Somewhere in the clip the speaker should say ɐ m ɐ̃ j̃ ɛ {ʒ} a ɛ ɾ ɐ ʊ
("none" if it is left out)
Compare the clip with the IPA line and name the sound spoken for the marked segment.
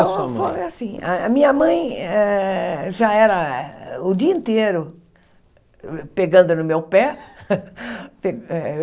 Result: ʒ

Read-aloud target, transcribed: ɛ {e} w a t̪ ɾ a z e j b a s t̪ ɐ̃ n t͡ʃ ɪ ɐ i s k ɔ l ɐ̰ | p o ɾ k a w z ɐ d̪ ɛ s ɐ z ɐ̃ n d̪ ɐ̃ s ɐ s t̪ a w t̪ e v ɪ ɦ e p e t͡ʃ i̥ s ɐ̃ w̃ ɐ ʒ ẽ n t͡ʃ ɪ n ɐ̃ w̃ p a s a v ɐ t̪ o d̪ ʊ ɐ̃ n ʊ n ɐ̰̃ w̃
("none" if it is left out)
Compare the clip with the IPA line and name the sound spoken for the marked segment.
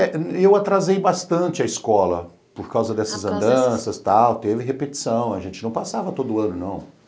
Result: e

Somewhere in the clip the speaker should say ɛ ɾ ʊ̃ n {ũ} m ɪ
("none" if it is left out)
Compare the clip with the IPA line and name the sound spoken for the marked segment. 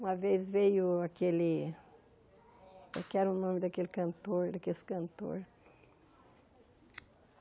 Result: õ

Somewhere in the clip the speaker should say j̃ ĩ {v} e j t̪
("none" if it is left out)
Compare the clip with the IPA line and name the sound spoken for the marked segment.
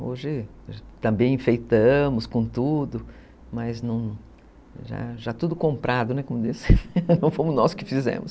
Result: f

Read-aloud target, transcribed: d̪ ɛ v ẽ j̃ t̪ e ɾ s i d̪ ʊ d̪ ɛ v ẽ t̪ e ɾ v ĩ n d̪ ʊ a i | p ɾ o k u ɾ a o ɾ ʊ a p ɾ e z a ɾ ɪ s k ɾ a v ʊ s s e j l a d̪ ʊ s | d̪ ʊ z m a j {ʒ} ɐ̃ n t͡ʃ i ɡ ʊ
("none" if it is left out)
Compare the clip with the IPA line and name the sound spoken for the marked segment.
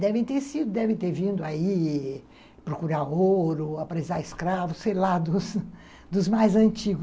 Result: z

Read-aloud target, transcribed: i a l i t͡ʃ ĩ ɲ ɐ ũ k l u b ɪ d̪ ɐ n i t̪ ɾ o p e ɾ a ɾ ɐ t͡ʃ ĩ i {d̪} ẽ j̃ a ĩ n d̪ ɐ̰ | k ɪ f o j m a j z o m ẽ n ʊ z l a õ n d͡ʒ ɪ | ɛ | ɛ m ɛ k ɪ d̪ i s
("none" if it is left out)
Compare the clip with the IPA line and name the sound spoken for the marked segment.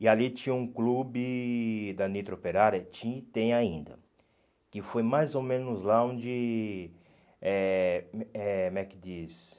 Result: t̪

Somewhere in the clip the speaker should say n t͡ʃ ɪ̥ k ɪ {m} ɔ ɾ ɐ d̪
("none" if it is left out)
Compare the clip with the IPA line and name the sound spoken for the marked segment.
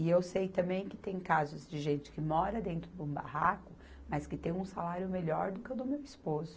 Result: m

